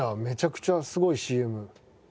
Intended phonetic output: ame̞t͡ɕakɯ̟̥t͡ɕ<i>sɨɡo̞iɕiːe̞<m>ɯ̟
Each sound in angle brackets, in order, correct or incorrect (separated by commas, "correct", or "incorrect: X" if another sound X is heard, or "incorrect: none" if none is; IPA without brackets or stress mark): incorrect: a, correct